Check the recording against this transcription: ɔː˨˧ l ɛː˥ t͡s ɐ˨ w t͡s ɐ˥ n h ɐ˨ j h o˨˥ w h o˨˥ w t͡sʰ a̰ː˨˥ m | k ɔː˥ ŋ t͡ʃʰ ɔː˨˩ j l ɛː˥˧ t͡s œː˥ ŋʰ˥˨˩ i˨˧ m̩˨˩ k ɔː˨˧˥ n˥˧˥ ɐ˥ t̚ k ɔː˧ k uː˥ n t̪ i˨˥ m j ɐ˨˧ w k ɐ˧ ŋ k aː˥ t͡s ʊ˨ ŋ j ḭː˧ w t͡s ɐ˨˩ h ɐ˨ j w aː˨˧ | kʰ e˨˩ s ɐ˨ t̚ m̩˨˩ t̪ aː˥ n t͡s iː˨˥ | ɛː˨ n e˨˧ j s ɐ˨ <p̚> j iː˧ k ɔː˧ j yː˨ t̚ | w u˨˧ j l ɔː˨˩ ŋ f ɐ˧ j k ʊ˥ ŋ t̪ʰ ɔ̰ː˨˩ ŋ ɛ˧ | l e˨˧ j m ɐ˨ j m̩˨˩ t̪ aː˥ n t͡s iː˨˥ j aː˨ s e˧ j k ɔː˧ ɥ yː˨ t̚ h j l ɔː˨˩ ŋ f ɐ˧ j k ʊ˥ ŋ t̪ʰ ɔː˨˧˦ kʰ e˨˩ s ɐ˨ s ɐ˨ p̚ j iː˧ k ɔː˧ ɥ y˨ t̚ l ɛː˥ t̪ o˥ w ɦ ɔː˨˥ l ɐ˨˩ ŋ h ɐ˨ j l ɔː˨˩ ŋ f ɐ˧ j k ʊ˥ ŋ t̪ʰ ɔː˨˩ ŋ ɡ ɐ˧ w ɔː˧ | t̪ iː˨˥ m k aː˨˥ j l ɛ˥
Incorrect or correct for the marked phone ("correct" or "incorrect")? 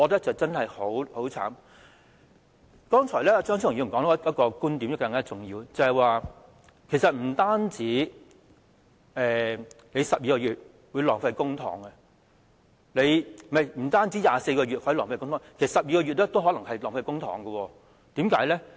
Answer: correct